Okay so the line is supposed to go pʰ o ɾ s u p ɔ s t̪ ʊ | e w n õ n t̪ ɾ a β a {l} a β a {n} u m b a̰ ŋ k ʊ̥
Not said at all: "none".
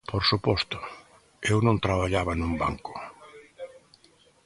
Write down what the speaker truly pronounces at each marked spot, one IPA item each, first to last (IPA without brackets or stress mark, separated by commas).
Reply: ʎ, n